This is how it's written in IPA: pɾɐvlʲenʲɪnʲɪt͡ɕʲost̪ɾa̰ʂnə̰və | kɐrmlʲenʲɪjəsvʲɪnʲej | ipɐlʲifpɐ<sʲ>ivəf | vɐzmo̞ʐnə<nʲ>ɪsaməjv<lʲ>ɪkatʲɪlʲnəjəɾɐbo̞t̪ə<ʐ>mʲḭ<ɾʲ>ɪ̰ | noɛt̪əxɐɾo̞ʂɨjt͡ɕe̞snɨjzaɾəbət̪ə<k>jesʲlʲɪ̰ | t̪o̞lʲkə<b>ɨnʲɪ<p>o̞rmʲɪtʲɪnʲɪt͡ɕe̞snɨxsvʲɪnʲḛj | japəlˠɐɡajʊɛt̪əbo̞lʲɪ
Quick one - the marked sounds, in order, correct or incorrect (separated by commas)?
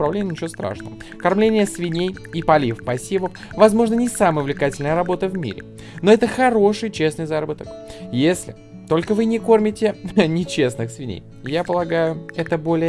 correct, correct, correct, incorrect, correct, correct, incorrect, incorrect